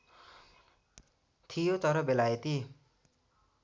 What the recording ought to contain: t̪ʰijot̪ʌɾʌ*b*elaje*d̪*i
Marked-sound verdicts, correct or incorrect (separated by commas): correct, incorrect